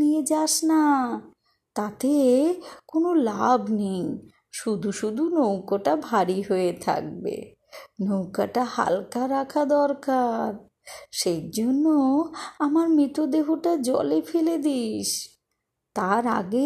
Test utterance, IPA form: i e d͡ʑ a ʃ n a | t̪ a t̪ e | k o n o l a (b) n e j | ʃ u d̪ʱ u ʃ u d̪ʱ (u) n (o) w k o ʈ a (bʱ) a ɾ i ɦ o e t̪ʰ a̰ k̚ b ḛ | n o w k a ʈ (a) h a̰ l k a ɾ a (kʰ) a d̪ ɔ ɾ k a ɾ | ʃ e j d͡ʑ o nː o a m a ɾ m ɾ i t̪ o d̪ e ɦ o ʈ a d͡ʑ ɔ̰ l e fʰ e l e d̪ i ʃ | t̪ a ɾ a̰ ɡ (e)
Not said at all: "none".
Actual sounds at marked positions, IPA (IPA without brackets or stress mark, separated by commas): b, u, o, bʱ, a, kʰ, e